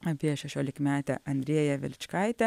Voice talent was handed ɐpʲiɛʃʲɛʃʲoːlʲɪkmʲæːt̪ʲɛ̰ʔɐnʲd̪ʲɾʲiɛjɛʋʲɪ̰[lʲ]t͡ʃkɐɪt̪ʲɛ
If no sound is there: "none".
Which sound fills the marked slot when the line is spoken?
lʲ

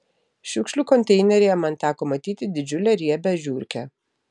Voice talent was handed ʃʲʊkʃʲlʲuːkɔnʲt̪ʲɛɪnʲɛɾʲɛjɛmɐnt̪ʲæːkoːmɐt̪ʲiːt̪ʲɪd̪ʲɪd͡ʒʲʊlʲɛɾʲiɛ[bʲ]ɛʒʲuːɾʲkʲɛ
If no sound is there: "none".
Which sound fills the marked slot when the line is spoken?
bʲ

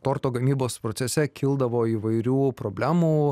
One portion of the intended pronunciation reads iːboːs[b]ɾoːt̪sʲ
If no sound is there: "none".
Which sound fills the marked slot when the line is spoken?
p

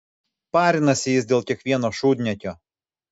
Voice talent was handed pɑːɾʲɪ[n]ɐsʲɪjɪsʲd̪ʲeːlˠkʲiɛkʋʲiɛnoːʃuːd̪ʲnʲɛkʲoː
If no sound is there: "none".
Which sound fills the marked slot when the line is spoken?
n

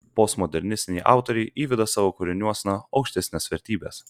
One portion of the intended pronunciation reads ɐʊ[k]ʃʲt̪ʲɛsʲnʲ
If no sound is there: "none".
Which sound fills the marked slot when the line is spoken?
k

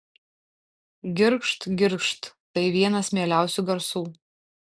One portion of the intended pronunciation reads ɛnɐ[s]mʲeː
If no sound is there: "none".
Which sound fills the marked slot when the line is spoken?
s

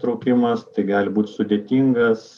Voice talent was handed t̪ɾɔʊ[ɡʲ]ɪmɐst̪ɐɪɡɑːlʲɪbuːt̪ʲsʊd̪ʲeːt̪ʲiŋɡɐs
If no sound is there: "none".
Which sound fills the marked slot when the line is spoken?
kʲ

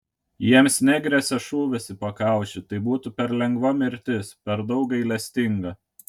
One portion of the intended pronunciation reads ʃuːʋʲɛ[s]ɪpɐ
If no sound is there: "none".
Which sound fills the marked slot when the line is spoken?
s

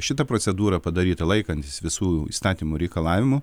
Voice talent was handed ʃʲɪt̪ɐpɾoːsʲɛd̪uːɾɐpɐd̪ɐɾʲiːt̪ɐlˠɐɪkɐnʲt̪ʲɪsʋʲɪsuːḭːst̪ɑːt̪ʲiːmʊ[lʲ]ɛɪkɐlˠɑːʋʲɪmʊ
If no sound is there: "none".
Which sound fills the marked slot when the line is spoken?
ɾʲ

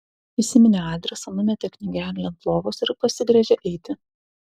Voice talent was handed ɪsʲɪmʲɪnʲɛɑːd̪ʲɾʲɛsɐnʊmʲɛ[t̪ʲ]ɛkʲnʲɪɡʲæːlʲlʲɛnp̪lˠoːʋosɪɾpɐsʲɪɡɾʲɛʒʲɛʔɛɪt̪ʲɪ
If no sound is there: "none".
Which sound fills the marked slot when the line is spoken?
t̪ʲ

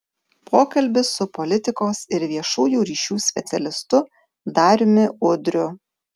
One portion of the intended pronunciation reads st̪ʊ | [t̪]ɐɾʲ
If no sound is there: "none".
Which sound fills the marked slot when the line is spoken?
d̪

